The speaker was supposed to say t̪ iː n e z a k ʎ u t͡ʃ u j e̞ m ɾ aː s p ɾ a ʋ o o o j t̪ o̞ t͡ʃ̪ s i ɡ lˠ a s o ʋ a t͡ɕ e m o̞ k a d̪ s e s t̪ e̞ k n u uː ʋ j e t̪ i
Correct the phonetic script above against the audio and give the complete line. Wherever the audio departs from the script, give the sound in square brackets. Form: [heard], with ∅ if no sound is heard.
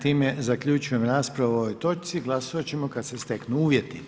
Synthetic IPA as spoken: t̪ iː [m] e z a k ʎ u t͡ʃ u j e̞ m ɾ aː s p ɾ a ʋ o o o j t̪ o̞ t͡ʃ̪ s i ɡ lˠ a s o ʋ a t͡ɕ e m o̞ k a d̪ s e s t̪ e̞ k n u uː ʋ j e t̪ i

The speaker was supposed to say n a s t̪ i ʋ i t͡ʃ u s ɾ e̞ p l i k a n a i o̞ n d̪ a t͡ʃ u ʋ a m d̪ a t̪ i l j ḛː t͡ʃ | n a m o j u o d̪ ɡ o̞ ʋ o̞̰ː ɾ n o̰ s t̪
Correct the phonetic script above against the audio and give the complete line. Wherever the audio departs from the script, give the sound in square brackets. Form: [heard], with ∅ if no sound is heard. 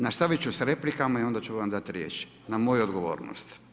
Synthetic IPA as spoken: n a s t̪ [a] ʋ i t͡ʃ u s ɾ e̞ p l i k a [m] a i o̞ n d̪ a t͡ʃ u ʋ a m d̪ a t̪ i [ɾ] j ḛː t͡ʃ | n a m o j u o d̪ ɡ o̞ ʋ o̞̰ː ɾ n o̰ s t̪

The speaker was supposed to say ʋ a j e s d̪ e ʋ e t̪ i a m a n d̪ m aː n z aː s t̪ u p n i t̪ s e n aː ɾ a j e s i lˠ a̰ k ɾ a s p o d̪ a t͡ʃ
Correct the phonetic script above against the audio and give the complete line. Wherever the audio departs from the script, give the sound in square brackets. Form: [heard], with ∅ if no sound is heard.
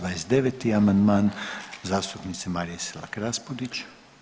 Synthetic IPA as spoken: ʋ a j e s d̪ e ʋ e t̪ i a m a n d̪ m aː n z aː s t̪ u p n i t̪ s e [m] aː ɾ [i] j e s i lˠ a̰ k ɾ a s p o d̪ [i] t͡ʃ

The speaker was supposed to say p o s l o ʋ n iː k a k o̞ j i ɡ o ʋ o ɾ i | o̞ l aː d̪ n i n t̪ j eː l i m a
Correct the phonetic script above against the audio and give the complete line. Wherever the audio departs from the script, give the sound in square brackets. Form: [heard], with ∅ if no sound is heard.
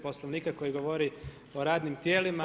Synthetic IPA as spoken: p o s l o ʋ n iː k a k o̞ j i ɡ o ʋ o ɾ i | o̞ [ɾ] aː d̪ n i [m] t̪ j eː l i m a

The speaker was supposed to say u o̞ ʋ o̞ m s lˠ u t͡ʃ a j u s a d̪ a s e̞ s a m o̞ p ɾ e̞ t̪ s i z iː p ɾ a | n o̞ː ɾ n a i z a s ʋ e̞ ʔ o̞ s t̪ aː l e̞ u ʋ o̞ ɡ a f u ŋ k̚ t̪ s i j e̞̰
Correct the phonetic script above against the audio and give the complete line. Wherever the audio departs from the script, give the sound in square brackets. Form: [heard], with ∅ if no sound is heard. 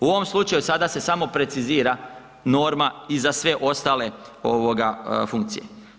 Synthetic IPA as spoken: u o̞ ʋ o̞ m s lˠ u t͡ʃ a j u s a d̪ a s e̞ s a m o̞ p ɾ e̞ t̪ s i z iː [∅] ɾ a | n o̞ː ɾ [m] a i z a s ʋ e̞ ʔ o̞ s t̪ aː l e̞ [o] ʋ o̞ ɡ a f u ŋ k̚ t̪ s i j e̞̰

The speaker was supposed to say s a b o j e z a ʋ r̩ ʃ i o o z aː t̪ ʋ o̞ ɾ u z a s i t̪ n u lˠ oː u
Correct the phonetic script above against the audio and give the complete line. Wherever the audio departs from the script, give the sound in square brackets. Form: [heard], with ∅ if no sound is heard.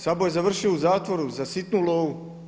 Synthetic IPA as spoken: s a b o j e z a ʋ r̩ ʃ i o [u] z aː t̪ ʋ o̞ ɾ u z a s i t̪ n u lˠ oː u

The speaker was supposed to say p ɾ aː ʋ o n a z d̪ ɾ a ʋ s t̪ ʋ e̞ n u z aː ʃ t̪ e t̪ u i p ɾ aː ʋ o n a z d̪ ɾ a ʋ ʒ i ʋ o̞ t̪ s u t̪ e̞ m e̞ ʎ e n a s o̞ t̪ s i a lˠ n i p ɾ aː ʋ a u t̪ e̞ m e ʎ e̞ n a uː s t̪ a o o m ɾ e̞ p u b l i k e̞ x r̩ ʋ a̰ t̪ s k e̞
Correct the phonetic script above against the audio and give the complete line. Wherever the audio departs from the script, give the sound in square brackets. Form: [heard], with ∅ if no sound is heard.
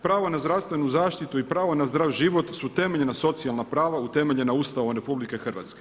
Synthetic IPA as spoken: p ɾ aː ʋ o n a z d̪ ɾ a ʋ s t̪ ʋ e̞ n u z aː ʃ t̪ [i] t̪ u i p ɾ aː ʋ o n a z d̪ ɾ a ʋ ʒ i ʋ o̞ t̪ s u t̪ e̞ m e̞ ʎ e n a s o̞ t̪ s i a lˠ n [a] p ɾ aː ʋ a u t̪ e̞ m e ʎ e̞ n a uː s t̪ a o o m ɾ e̞ p u b l i k e̞ x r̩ ʋ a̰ t̪ s k e̞

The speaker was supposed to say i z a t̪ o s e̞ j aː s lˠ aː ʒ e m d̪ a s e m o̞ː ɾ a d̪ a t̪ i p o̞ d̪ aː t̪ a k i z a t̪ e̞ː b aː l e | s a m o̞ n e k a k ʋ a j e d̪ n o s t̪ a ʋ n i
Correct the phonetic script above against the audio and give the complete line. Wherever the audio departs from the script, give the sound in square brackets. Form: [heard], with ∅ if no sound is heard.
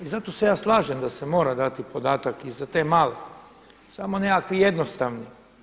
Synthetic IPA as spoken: i z a t̪ o s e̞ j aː s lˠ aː ʒ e m d̪ a s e m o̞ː ɾ a d̪ a t̪ i p o̞ d̪ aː t̪ a k i z a t̪ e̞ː [m] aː l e | s a m o̞ n e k a k ʋ [i] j e d̪ n o s t̪ a ʋ n i

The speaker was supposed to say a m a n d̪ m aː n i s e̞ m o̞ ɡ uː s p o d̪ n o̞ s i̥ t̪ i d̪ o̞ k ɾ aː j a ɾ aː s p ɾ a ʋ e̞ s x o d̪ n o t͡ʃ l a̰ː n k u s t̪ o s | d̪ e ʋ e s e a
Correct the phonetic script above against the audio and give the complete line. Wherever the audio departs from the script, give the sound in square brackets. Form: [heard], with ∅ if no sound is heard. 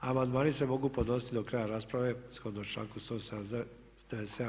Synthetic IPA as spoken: a m a n d̪ m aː n i s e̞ m o̞ ɡ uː [∅] p o d̪ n o̞ s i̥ t̪ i d̪ o̞ k ɾ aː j a ɾ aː s p ɾ a ʋ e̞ s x o d̪ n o t͡ʃ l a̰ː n k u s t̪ o s | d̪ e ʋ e s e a

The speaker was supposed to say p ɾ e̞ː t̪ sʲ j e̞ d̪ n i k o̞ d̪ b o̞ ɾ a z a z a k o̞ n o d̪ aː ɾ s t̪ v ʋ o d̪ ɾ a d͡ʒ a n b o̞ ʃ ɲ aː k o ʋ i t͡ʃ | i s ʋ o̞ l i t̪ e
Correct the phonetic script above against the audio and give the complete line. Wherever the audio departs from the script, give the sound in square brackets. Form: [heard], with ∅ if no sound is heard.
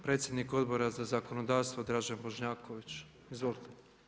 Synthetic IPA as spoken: p ɾ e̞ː t̪ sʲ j e̞ d̪ n i k o̞ d̪ b o̞ ɾ a z a z a k o̞ n o d̪ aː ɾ s t̪ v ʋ o d̪ ɾ a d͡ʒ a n b o̞ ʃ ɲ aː k o ʋ i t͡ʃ | i [z] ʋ o̞ l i t̪ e

